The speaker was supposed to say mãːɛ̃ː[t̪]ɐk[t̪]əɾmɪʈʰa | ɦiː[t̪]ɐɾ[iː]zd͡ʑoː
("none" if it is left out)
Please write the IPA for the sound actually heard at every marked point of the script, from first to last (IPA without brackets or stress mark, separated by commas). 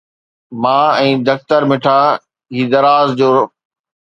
d̪, t̪, d̪, aː